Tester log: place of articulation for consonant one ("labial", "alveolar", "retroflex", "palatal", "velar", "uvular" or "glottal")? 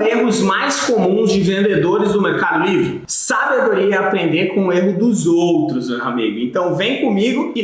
glottal